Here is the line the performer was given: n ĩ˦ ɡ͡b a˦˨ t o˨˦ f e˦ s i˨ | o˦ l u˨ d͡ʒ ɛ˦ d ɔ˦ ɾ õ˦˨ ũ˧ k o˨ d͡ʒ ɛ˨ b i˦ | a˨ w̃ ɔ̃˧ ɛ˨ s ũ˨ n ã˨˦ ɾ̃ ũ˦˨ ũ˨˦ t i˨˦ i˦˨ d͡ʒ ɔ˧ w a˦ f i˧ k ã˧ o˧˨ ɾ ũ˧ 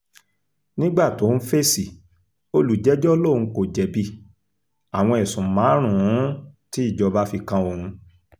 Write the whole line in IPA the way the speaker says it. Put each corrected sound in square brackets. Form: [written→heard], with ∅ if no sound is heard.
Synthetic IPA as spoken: n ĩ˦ ɡ͡b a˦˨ t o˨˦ f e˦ s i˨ | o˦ l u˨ d͡ʒ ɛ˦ [d→d͡ʒ] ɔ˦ [ɾ→l] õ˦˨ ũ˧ k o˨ d͡ʒ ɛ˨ b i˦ | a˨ w̃ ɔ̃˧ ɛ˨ s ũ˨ [n→m] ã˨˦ ɾ̃ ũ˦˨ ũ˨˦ t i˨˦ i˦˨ d͡ʒ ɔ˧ [w→b] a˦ f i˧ k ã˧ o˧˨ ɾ ũ˧